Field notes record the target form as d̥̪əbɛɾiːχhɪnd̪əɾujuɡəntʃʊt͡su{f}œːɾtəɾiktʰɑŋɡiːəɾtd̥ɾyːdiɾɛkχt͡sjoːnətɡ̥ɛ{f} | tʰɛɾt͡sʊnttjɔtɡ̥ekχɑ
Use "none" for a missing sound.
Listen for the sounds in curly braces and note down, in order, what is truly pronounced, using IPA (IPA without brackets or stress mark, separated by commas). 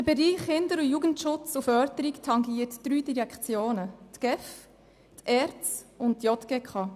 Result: f, f